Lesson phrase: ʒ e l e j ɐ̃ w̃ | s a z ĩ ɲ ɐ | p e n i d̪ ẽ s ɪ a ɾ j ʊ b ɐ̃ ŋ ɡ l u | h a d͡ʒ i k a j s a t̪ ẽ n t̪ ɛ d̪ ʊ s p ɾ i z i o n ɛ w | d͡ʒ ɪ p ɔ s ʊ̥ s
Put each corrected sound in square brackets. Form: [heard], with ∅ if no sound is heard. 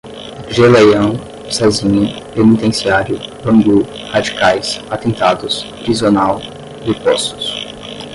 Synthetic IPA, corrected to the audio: ʒ e l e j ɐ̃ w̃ | s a z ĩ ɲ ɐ | p e n i [t̪] ẽ s [i] a ɾ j ʊ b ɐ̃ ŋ ɡ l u | h a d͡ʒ i k a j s a t̪ ẽ n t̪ [a] d̪ ʊ s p ɾ i z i o n [a] w | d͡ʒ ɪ p ɔ s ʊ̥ s